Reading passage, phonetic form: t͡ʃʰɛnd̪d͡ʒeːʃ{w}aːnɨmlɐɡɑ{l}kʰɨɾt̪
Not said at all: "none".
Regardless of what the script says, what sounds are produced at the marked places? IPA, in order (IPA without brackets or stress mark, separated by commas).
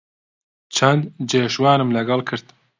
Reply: w, l